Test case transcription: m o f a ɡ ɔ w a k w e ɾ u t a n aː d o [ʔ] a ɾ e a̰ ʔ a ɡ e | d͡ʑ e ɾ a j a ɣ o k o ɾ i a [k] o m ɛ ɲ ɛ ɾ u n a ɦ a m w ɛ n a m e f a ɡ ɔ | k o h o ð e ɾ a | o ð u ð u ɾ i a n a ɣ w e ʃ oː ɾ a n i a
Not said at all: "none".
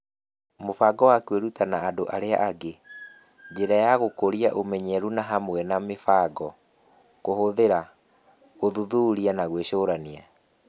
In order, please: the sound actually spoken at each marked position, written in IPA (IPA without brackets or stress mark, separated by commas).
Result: ʔ, ʔ